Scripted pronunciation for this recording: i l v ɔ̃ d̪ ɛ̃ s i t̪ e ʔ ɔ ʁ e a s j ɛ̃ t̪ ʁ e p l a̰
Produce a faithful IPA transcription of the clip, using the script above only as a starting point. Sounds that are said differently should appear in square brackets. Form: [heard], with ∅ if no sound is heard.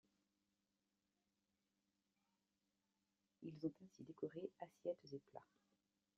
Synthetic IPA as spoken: i l [z] ɔ̃ [t̪] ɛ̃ s i [d̪] e [k] ɔ ʁ e a s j [ɛ] t̪ [z] e p l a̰